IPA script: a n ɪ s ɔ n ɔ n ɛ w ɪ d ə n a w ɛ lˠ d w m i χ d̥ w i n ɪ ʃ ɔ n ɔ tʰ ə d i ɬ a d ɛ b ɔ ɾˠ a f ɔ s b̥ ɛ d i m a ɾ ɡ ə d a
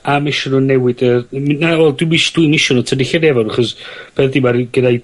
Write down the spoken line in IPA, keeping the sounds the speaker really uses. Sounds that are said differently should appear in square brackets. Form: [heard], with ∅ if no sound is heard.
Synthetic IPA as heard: a [m] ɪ [ʃ] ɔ n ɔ n ɛ w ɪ d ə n a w ɛ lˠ d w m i [ʃ] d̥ w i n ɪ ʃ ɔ n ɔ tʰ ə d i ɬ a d ɛ [v] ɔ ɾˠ a [χ] ɔ s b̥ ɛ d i m a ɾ ɡ ə d a